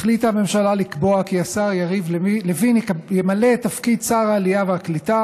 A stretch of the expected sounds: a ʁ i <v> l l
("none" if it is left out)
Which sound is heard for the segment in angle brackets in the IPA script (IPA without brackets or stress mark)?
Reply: v